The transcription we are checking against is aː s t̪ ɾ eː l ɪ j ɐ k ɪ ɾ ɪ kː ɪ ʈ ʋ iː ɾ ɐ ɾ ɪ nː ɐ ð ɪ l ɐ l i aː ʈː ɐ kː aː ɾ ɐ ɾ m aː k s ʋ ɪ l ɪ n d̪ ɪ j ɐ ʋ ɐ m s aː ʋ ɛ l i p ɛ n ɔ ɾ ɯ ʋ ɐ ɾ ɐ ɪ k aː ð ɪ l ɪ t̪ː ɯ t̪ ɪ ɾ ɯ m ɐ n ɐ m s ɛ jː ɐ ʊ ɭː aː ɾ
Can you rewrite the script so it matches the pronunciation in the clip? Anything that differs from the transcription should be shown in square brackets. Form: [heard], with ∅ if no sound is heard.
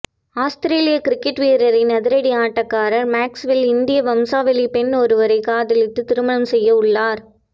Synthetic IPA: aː s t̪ ɾ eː l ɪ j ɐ k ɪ ɾ ɪ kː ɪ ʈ ʋ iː ɾ ɐ ɾ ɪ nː ɐ ð ɪ [ɾ] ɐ [ɽ] i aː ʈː ɐ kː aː ɾ ɐ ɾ m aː k s ʋ ɪ l ɪ n d̪ ɪ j ɐ ʋ ɐ m s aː ʋ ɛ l i p ɛ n ɔ ɾ ɯ ʋ ɐ ɾ ɐ ɪ k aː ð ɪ l ɪ t̪ː ɯ t̪ ɪ ɾ ɯ m ɐ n ɐ m s ɛ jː ɐ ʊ ɭː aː ɾ